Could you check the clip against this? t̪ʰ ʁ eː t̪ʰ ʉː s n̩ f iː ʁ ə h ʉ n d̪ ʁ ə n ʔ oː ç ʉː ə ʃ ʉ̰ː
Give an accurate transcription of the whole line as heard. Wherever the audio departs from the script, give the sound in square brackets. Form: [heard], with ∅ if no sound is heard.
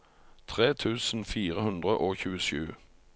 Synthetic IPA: t̪ʰ ʁ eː t̪ʰ ʉː s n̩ f iː ʁ ə h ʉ n d̪ ʁ ə [∅] ʔ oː ç ʉː ə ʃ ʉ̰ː